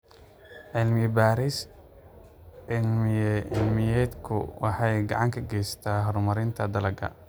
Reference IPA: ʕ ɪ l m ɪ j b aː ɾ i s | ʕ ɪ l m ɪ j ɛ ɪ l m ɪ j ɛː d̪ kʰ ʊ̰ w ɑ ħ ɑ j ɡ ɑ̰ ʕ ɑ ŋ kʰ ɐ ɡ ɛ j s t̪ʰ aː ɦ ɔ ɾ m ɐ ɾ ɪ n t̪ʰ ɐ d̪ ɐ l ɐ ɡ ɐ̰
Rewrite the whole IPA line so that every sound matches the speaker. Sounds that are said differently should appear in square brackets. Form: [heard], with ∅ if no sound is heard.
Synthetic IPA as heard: ʕ ɪ l m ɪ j b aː ɾ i s | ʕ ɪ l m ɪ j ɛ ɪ l m ɪ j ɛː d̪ kʰ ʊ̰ w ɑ ħ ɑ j ɡ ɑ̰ ʕ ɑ ŋ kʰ ɐ ɡ ɛ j s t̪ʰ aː ɦ ɔ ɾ m ɐ ɾ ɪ n t̪ʰ ɐ d̪ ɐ l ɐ ɡ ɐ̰

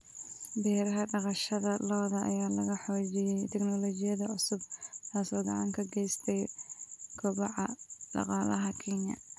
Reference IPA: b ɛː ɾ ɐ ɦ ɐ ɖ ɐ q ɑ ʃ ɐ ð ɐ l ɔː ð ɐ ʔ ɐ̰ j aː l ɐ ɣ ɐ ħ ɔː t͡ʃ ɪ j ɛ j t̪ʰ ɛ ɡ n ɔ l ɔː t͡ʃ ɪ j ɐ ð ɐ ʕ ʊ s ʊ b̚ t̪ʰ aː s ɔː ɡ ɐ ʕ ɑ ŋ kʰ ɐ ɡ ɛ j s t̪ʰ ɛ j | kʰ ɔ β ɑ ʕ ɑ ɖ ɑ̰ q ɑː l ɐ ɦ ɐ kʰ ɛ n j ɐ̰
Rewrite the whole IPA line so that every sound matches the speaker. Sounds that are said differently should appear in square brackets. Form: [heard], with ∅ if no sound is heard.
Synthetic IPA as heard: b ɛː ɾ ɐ ɦ ɐ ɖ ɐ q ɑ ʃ ɐ ð ɐ l ɔː ð ɐ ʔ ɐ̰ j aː l ɐ ɣ ɐ ħ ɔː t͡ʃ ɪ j ɛ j t̪ʰ ɛ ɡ n ɔ l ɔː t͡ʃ ɪ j ɐ ð ɐ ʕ ʊ s ʊ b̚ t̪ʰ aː s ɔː ɡ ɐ ʕ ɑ ŋ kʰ ɐ ɡ ɛ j s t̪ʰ ɛ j | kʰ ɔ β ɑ ʕ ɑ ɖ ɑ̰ q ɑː l ɐ ɦ ɐ kʰ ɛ n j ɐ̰

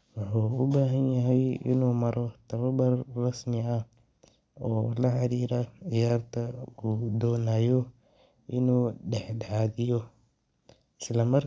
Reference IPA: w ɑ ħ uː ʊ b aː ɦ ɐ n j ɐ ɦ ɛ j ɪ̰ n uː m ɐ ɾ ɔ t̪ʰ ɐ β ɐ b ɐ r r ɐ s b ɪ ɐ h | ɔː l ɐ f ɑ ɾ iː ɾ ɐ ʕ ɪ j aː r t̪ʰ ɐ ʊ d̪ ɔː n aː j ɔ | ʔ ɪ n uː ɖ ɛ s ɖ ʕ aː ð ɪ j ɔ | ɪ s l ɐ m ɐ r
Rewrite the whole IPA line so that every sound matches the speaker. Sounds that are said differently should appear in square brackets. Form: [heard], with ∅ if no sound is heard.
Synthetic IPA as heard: w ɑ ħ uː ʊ b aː ɦ ɐ n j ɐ ɦ ɛ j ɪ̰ n uː m ɐ ɾ ɔ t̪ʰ ɐ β ɐ b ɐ r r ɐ s [m] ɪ ɐ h | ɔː l ɐ [ħ] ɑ ɾ iː ɾ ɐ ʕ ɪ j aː r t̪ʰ ɐ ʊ d̪ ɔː n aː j ɔ | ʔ ɪ n uː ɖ ɛ [ħ] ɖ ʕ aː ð ɪ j ɔ | ɪ s l ɐ m ɐ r

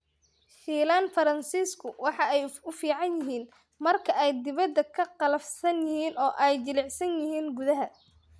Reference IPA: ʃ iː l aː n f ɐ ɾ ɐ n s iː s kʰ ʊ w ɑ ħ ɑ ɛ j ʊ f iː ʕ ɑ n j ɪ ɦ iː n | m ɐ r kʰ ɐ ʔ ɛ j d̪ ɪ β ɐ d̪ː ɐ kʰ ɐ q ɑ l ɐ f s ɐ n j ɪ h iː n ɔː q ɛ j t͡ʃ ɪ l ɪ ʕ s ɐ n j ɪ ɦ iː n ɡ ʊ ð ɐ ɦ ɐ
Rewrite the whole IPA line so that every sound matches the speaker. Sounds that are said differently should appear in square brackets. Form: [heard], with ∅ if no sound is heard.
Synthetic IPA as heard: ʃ iː l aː n f ɐ ɾ ɐ n s iː s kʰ ʊ w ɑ ħ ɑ ɛ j ʊ f iː ʕ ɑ n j ɪ ɦ iː n | m ɐ r kʰ ɐ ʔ ɛ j d̪ ɪ β ɐ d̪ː ɐ kʰ ɐ q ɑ l ɐ f s ɐ n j ɪ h iː n ɔː [ʔ] ɛ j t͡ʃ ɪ l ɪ ʕ s ɐ n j ɪ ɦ iː n ɡ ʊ ð ɐ ɦ ɐ

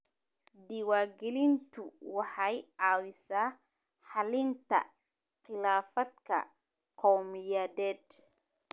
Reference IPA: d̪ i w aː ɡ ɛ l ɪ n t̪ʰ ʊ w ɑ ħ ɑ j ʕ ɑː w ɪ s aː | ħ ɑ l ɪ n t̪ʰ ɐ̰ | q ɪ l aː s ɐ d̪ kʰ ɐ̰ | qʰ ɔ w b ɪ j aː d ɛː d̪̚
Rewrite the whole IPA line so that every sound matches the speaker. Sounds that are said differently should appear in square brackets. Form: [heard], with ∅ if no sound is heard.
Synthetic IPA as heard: d̪ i w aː ɡ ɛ l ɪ n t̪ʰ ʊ w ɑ ħ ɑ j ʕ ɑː w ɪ s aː | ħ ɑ l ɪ n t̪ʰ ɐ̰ | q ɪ l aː [f] ɐ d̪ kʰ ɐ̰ | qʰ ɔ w [m] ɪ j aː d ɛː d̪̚

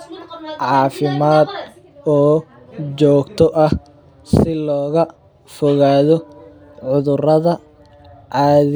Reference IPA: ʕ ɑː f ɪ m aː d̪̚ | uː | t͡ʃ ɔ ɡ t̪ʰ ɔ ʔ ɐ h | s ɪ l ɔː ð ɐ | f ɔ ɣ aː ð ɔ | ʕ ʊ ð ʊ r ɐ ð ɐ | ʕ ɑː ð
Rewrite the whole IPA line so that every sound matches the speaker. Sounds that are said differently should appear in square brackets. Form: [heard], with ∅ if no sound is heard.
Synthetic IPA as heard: ʕ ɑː f ɪ m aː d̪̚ | [ɔː] | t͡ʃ [ɔː] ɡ t̪ʰ ɔ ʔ ɐ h | s ɪ l ɔː [ɣ] ɐ | f ɔ ɣ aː ð ɔ | ʕ ʊ ð ʊ r ɐ ð ɐ | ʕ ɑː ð

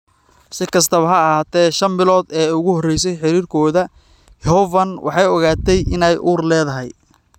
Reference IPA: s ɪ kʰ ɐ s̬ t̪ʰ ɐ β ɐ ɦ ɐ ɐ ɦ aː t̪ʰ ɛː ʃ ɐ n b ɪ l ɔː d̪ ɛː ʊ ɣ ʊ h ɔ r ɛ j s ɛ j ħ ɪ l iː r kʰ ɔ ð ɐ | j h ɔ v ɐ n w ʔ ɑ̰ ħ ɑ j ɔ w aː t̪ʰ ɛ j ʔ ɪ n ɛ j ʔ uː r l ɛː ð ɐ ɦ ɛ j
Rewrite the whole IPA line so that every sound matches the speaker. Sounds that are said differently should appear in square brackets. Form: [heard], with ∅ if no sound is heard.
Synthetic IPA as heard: s ɪ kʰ ɐ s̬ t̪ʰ ɐ β ɐ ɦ ɐ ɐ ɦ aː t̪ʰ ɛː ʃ ɐ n b ɪ l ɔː d̪ ɛː ʊ ɣ ʊ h ɔ r ɛ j s ɛ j ħ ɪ [ɾ] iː r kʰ [ɔː] ð ɐ | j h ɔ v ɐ n w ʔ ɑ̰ ħ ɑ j ɔ [ɣ] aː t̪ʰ ɛ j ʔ ɪ n ɛ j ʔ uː r l ɛː ð ɐ ɦ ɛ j

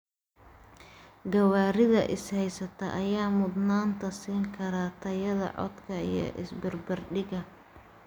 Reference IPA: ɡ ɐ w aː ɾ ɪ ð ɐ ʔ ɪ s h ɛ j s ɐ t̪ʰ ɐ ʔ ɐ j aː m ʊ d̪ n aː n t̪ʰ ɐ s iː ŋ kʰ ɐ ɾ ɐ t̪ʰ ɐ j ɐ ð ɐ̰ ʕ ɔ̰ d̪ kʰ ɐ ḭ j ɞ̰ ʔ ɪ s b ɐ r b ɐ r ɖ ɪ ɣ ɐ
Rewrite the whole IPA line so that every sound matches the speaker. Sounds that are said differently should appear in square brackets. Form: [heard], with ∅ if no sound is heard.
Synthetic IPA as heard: ɡ ɐ w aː ɾ ɪ ð ɐ ʔ ɪ s h ɛ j s ɐ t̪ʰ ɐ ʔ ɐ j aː m ʊ d̪ n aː n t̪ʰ ɐ s iː ŋ kʰ ɐ ɾ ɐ t̪ʰ ɐ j ɐ ð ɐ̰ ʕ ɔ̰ d̪ kʰ ɐ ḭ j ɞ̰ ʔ ɪ s b ɐ r b ɐ r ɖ ɪ ɣ ɐ

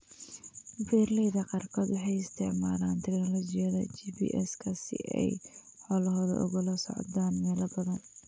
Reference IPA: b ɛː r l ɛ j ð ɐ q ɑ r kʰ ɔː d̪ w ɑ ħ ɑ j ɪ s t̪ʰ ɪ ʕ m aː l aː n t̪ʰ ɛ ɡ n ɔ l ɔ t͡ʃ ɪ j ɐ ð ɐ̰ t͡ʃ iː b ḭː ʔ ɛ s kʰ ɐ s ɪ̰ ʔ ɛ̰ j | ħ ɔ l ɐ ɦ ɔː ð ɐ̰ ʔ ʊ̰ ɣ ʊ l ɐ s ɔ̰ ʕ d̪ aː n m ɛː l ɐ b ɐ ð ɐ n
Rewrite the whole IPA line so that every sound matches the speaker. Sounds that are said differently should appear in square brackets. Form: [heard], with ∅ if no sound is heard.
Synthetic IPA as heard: b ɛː r l ɛ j ð ɐ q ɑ r kʰ ɔː d̪ w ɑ ħ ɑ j ɪ s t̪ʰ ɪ ʕ m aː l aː n t̪ʰ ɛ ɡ n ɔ l ɔ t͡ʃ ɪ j ɐ ð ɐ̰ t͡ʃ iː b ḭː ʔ ɛ s kʰ ɐ s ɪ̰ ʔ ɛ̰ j | ħ ɔ l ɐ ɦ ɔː ð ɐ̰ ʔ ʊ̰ ɣ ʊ l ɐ s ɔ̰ ʕ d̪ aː n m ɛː l ɐ b ɐ ð ɐ n

